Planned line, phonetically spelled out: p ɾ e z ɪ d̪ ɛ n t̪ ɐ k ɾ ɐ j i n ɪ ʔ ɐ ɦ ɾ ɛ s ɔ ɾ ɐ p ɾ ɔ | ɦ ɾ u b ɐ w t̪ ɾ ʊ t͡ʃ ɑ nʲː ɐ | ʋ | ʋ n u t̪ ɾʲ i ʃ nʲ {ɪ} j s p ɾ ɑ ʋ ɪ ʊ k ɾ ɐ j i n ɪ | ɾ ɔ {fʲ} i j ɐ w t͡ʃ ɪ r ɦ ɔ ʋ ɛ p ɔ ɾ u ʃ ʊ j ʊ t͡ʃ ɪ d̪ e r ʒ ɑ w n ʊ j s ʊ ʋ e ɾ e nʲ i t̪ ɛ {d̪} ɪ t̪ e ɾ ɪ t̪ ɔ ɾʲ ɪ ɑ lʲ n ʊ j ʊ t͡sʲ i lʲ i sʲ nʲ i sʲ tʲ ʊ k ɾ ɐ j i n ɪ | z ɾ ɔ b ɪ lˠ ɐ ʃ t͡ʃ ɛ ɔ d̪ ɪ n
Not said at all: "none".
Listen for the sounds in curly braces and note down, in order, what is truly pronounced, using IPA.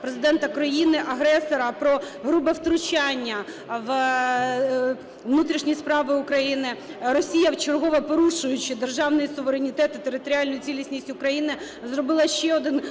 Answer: i, sʲ, t̪

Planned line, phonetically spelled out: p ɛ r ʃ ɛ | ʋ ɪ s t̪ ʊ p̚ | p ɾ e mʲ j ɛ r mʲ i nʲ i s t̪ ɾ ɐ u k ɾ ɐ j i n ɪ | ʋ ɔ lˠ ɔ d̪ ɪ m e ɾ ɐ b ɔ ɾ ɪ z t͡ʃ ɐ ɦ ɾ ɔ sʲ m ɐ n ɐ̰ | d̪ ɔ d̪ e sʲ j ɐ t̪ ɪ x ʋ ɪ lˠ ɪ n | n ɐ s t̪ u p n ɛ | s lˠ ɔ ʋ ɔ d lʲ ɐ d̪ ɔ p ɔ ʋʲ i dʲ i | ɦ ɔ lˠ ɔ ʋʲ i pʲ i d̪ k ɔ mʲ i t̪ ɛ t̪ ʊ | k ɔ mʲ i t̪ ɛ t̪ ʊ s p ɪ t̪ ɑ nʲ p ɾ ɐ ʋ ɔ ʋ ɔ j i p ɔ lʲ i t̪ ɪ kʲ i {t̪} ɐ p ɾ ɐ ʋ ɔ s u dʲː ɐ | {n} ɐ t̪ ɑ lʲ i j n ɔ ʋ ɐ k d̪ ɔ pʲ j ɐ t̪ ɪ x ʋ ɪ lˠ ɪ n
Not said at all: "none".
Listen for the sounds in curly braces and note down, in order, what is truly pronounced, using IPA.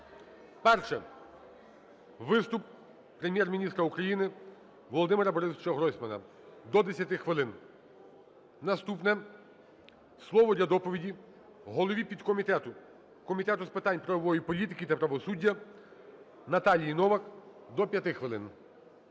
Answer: t̪, n

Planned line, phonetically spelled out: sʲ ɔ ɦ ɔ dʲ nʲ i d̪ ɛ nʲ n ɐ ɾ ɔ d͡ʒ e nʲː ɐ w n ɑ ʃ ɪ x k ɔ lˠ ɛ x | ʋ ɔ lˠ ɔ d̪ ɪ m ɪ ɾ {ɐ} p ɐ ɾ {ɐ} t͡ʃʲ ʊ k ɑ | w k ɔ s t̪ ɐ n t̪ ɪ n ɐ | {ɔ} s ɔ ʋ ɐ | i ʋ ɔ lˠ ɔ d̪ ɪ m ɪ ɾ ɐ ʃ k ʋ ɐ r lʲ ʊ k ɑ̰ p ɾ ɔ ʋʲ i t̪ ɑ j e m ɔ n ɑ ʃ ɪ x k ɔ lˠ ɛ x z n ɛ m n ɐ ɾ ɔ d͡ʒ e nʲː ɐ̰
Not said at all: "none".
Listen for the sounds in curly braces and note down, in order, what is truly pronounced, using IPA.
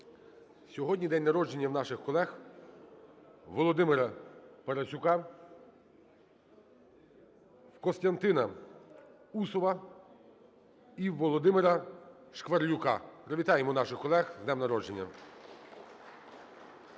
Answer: ɐ, ɐ, u

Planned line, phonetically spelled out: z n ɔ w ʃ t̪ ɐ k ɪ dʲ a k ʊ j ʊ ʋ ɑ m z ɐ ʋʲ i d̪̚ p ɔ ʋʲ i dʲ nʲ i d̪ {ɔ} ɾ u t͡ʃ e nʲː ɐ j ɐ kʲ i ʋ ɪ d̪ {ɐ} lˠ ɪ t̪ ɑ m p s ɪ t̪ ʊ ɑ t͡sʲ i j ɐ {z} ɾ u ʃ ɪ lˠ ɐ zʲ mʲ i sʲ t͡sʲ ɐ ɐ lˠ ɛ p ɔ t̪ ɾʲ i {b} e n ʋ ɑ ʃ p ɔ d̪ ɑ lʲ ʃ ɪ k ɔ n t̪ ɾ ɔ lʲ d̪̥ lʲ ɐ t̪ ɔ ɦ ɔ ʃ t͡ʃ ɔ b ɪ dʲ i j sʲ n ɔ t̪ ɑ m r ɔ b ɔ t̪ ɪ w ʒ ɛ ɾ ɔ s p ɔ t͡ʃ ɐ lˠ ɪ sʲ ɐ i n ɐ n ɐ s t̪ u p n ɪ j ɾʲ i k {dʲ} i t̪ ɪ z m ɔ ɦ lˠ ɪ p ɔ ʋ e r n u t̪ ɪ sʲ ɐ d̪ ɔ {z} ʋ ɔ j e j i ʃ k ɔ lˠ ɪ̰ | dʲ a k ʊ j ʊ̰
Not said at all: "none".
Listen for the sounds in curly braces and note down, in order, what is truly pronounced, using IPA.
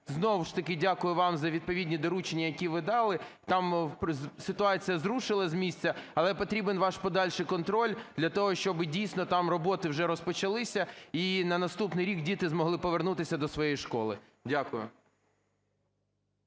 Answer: ɔ, ɑ, z, b, dʲ, s

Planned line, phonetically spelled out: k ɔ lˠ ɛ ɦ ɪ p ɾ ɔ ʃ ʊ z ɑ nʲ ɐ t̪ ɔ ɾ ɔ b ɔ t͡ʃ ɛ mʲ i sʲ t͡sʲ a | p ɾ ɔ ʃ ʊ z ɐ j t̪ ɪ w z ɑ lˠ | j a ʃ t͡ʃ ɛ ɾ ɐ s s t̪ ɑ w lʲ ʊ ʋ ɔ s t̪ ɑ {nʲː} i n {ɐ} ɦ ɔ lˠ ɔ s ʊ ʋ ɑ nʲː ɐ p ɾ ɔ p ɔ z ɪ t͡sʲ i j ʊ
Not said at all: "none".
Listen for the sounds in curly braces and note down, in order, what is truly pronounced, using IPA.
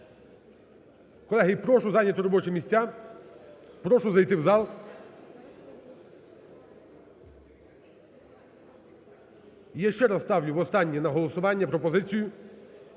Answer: nʲː, ɐ

